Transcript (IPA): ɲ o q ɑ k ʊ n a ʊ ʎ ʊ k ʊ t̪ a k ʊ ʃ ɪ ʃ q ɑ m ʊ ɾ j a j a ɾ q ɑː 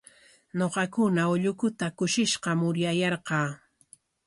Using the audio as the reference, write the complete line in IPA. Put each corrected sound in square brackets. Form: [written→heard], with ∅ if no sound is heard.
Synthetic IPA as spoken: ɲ o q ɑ k ʊ n a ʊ ʎ ʊ k ʊ t̪ a k ʊ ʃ ɪ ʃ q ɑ m ʊ ɾ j a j [a→ɑ] ɾ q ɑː